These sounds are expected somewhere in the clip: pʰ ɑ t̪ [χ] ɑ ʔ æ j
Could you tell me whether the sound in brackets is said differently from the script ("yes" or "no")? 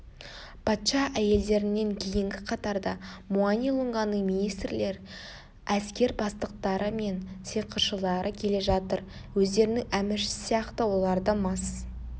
yes